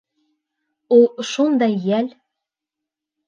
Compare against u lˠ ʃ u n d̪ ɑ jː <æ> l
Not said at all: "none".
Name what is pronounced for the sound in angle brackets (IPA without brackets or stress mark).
æ